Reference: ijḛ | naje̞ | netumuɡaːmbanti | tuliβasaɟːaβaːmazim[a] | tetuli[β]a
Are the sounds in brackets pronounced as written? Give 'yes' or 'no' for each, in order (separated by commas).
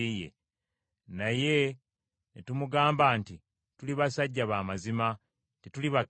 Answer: yes, yes